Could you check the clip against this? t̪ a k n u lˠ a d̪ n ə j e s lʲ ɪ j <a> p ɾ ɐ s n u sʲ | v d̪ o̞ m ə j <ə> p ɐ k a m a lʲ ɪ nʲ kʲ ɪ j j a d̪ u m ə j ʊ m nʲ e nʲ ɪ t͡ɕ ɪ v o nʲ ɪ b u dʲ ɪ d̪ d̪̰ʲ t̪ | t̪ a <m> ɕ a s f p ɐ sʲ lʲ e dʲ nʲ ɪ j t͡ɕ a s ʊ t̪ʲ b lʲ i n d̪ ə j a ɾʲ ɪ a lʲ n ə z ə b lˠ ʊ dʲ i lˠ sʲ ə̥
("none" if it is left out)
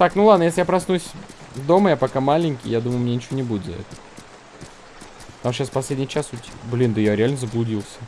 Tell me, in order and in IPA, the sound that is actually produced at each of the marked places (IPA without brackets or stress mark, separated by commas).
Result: a, a, m